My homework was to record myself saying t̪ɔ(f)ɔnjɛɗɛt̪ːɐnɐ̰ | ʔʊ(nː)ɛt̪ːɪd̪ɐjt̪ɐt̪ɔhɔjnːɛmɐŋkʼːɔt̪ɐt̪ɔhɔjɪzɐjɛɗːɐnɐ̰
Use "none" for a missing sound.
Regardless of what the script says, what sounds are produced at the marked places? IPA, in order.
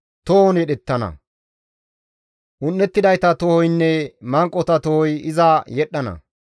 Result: h, nː

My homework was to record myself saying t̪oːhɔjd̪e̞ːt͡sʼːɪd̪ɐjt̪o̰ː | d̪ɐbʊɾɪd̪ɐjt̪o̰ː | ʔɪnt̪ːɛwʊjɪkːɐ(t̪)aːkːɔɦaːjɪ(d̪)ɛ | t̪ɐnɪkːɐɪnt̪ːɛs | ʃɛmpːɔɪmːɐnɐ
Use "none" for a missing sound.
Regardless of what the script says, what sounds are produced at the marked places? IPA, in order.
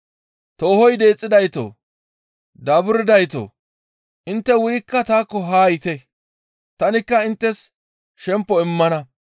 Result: t̪, t̪

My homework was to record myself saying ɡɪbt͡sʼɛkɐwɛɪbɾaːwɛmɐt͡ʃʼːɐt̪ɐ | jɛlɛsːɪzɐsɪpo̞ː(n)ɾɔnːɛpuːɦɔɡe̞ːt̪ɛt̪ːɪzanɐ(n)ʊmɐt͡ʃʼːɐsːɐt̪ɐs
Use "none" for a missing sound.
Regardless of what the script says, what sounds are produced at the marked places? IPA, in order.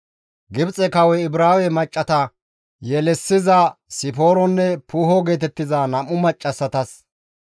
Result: none, m

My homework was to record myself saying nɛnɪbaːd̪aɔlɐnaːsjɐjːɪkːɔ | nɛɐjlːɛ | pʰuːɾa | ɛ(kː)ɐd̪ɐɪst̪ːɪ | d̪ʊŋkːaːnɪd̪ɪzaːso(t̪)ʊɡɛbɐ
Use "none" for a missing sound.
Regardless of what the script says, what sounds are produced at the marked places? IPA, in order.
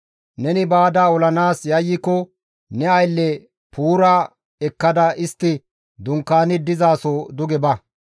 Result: kː, d̪

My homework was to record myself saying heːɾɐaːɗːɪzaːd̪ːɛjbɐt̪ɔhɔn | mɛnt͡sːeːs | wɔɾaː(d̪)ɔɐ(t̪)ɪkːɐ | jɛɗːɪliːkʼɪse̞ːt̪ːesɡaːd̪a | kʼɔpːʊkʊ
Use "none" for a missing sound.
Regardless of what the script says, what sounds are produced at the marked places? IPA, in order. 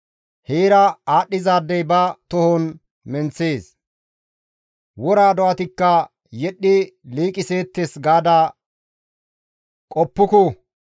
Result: d̪, t̪

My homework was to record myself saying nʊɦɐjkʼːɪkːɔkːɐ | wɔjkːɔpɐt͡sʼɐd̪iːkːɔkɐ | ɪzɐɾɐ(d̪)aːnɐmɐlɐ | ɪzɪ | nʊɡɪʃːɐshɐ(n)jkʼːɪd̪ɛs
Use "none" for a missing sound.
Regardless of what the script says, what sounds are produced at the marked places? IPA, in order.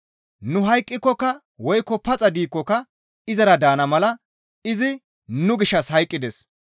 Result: d̪, none

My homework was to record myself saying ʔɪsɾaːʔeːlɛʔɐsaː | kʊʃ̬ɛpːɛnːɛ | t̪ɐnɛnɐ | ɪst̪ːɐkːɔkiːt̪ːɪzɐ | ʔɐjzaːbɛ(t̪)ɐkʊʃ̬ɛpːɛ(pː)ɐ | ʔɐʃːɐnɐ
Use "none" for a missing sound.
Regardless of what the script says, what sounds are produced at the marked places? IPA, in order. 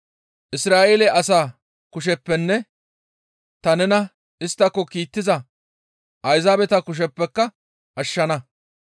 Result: t̪, kː

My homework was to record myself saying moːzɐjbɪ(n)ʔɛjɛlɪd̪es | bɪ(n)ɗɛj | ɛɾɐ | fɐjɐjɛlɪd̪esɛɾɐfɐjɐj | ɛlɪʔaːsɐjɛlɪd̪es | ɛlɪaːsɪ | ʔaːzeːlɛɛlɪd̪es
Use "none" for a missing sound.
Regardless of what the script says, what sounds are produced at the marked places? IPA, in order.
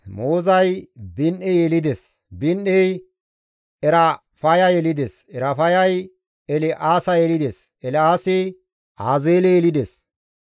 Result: n, n

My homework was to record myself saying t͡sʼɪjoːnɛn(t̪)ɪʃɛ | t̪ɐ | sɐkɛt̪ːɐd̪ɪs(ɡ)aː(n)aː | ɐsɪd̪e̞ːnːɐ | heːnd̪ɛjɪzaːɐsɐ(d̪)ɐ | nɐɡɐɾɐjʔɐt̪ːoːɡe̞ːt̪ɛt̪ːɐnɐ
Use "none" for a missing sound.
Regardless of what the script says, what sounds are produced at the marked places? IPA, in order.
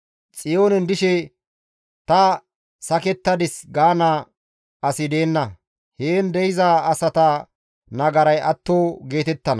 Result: d̪, ɡ, n, t̪

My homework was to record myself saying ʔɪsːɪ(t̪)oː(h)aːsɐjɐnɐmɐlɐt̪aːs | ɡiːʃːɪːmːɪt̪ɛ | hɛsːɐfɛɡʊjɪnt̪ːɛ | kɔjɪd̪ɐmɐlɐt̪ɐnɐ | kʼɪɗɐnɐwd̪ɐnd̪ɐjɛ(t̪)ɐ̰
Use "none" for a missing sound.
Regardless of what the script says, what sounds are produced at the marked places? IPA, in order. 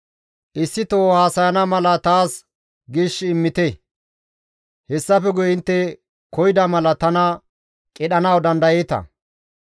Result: t̪, h, t̪

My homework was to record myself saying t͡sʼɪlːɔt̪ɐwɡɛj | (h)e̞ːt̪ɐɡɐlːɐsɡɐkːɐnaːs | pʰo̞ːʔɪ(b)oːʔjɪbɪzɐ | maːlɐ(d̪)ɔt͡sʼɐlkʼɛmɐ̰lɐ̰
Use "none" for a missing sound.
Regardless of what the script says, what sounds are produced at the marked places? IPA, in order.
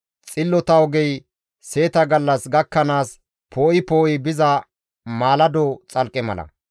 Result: s, p, d̪

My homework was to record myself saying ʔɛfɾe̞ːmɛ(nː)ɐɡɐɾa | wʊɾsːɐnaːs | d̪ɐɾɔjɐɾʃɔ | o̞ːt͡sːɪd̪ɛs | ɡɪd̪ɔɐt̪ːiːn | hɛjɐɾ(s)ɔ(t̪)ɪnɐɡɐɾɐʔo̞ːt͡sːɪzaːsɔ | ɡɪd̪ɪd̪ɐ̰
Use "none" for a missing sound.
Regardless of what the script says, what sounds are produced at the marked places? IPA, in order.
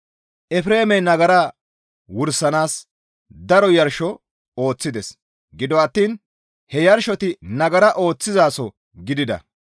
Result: n, ʃ, t̪

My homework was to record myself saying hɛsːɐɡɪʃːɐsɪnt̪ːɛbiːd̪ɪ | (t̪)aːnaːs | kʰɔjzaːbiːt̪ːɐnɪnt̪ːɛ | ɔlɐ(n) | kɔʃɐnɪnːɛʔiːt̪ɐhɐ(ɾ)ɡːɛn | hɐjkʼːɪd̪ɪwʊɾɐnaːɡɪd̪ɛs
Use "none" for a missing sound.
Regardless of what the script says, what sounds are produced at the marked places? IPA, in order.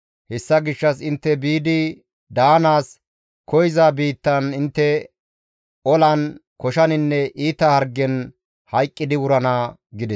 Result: d̪, n, ɾ

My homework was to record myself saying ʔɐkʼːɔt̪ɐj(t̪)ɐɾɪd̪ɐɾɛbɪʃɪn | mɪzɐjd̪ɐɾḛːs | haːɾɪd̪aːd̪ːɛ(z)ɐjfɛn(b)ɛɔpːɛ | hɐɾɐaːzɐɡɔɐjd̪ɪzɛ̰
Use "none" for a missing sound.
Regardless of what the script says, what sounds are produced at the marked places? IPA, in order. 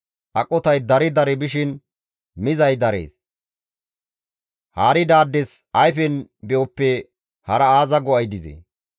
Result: d̪, s, b

